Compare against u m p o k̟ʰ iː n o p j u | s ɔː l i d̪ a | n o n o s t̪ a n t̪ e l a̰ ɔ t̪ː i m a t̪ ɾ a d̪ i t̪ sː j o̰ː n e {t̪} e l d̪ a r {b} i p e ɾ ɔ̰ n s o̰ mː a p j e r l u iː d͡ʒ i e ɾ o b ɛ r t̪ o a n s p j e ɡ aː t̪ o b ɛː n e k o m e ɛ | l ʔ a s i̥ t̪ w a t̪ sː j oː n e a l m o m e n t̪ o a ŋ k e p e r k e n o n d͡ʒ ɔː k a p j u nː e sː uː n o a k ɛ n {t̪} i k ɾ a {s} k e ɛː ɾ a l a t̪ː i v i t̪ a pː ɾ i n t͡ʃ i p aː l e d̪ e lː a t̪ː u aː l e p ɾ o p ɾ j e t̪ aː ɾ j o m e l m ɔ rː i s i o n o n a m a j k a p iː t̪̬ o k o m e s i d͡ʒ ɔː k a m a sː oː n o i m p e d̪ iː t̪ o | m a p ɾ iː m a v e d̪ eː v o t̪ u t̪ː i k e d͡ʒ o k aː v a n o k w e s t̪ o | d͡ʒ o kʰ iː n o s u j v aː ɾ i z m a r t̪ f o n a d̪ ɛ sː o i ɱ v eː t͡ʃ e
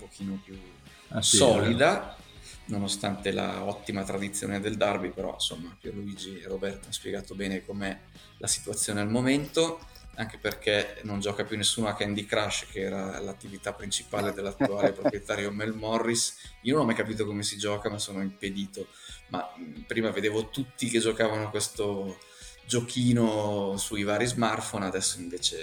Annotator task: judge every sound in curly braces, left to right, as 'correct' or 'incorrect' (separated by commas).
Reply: incorrect, correct, incorrect, incorrect